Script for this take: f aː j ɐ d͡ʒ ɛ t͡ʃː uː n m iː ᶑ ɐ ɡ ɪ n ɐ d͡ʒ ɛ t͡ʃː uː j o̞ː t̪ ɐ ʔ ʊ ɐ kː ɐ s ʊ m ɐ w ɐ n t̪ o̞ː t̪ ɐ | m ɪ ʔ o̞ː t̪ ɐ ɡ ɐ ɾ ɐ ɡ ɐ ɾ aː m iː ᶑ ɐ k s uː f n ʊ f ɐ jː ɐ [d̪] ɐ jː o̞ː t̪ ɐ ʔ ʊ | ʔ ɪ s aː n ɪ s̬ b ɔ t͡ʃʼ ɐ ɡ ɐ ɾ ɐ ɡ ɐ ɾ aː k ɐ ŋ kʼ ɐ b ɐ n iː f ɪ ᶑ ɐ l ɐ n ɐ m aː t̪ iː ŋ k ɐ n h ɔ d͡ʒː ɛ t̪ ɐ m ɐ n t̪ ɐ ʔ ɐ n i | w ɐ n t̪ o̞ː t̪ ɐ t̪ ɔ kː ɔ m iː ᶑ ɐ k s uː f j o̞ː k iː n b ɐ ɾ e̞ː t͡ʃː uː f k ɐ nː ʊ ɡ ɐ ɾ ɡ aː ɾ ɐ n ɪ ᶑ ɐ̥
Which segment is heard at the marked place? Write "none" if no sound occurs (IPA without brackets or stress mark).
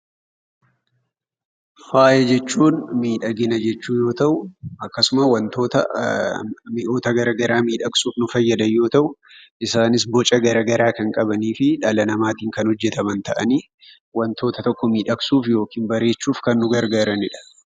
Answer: d̪